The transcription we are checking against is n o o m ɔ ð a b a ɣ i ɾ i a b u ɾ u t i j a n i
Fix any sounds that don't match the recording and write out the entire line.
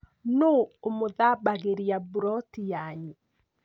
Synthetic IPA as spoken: n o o m o ð a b a ɣ e ɾ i a b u ɾ ɔ t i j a ɲ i